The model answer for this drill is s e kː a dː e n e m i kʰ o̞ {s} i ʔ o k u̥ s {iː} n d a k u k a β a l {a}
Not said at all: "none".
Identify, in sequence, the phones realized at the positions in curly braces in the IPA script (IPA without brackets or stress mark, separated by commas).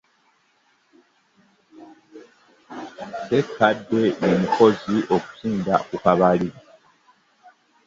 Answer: z, iː, i